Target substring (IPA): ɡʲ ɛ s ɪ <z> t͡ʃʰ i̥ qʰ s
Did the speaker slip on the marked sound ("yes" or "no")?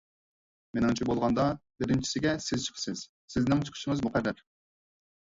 no